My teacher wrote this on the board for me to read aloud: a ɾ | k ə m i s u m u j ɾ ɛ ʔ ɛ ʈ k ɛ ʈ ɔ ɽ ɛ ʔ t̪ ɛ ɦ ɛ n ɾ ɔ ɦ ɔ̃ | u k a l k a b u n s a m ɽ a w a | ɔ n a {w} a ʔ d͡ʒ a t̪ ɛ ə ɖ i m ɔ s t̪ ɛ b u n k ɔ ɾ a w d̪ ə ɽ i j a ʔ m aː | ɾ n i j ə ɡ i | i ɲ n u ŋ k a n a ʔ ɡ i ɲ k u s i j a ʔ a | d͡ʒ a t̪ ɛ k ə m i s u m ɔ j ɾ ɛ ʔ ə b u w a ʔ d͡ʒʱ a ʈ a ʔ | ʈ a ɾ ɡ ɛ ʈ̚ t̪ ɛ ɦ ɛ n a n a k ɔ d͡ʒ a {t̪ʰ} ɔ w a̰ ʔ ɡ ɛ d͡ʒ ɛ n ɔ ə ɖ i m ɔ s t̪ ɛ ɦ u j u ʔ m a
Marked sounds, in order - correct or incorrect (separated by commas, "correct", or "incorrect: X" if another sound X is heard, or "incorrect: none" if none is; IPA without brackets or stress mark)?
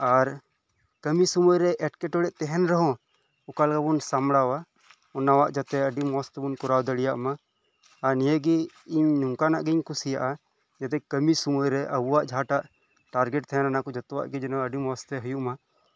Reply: correct, incorrect: t̪